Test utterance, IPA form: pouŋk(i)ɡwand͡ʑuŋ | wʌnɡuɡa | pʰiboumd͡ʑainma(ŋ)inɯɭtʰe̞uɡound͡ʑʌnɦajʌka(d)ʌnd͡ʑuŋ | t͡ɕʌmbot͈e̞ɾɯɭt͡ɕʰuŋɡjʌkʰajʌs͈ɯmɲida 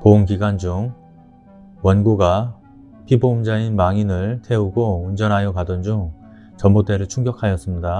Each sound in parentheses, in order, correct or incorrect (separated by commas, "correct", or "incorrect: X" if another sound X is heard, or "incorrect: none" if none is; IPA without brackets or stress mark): correct, correct, correct